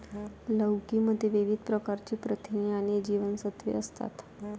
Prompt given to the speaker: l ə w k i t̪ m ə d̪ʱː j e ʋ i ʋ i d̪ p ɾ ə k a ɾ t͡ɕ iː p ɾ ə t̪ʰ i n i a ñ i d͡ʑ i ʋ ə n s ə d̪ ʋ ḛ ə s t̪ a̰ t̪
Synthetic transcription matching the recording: l ə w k i m ə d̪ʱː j e ʋ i ʋ i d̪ p ɾ ə k a ɾ t͡ɕ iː p ɾ ə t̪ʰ i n i a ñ i d͡ʑ i ʋ ə n s ə t̪ ʋ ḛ ə s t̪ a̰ t̪